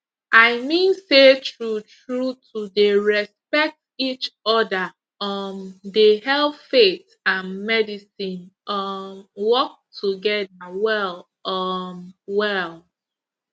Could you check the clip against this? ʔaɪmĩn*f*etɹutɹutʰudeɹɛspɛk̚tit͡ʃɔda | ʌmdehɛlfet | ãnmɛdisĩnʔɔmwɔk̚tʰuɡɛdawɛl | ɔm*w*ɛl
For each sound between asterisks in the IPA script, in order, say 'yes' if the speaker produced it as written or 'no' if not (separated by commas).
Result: no, yes